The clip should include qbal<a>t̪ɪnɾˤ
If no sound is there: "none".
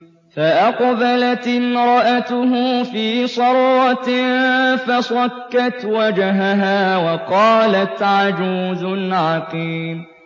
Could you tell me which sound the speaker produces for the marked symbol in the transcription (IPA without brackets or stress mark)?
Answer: a